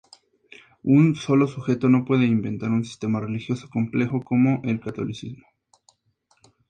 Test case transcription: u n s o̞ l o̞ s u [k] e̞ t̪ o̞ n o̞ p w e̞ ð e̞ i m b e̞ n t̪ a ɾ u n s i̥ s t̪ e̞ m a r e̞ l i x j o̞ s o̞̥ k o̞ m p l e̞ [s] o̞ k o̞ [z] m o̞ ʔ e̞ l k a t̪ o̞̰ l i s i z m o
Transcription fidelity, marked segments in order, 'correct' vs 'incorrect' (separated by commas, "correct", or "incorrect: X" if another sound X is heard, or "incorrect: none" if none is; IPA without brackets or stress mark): incorrect: x, incorrect: x, incorrect: none